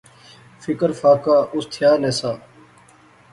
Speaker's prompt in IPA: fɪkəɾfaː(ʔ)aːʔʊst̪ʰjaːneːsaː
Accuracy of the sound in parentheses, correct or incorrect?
incorrect